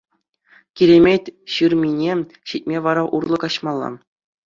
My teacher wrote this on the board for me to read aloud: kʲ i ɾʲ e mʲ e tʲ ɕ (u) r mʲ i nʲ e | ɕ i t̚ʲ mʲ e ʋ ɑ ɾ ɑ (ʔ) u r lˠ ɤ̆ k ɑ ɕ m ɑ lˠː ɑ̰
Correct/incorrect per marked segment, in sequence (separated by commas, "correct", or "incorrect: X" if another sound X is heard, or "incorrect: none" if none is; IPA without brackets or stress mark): incorrect: ɯ, correct